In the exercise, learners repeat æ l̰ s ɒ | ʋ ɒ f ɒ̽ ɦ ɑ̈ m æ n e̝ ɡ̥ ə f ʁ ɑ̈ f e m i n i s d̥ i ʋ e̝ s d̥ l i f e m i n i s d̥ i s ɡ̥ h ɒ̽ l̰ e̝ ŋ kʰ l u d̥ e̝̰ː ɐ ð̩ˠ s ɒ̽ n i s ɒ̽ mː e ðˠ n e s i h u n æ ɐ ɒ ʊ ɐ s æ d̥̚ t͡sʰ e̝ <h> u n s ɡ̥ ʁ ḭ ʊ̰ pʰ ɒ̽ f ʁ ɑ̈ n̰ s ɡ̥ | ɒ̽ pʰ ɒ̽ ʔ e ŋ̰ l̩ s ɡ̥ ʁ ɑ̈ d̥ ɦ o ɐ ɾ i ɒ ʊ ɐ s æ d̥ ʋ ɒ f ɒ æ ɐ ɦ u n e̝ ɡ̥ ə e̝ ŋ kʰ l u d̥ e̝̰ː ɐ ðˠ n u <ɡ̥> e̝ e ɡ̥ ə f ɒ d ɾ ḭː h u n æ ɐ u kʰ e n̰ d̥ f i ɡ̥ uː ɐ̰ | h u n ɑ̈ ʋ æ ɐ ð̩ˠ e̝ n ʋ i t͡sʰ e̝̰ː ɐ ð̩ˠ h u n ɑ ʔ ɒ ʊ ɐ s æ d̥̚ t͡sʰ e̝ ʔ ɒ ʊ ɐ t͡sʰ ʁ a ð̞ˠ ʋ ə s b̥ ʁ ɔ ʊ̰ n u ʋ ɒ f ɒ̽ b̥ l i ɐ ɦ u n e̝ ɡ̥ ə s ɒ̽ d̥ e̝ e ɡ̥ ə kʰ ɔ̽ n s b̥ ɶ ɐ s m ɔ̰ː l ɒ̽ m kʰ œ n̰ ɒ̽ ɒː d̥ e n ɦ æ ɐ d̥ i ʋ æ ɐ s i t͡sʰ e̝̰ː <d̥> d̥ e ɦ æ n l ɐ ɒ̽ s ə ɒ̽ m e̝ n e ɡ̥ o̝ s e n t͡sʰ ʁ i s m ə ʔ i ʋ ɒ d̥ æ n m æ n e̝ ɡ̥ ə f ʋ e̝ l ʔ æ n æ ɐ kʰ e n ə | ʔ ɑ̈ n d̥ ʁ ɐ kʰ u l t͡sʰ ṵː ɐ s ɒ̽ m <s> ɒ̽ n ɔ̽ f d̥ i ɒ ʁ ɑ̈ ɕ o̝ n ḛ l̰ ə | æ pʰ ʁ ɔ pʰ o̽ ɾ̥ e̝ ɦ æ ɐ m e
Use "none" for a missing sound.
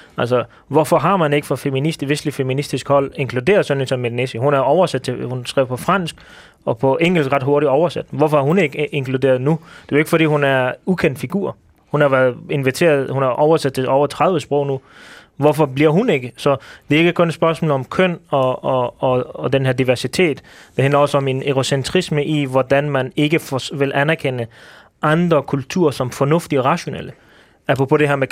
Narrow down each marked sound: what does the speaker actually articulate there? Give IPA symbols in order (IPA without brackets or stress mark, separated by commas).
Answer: h, d̥, d̥, f